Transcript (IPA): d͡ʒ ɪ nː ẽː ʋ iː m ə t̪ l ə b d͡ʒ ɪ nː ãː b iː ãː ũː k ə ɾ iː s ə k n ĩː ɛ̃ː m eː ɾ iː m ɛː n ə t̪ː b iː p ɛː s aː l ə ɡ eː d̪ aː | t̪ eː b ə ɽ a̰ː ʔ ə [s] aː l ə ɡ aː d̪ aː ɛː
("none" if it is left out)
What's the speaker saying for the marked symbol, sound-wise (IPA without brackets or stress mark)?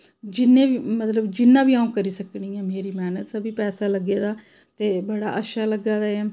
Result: ʃ